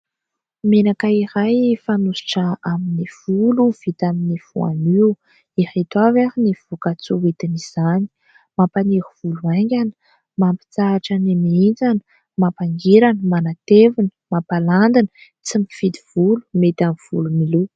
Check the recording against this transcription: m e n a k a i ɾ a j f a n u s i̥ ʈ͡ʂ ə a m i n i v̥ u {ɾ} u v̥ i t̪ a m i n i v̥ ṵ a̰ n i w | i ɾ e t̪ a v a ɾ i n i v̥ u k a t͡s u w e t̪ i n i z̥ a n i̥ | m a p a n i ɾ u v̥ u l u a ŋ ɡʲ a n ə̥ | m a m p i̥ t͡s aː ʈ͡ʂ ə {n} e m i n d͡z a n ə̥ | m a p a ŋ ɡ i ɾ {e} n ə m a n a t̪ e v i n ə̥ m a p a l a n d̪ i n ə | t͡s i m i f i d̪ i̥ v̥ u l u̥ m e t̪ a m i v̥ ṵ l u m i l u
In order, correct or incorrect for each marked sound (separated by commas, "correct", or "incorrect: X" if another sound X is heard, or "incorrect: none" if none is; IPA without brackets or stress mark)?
incorrect: l, correct, incorrect: a